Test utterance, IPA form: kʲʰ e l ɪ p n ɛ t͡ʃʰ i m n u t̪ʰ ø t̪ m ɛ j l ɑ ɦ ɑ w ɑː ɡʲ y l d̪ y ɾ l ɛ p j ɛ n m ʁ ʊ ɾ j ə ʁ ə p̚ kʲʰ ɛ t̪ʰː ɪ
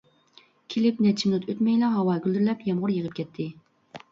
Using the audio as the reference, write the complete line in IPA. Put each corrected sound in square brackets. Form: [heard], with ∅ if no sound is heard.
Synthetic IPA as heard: kʲʰ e l ɪ p n ɛ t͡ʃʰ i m n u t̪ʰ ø t̪ m ɛ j l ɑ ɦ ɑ w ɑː ɡʲ y l d̪ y ɾ l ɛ p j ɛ [∅] m ʁ ʊ ɾ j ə ʁ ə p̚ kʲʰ ɛ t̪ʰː ɪ